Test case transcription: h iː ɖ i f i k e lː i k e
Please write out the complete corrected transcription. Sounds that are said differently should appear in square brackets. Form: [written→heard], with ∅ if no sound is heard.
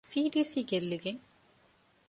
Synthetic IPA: [h→s] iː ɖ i [f→s] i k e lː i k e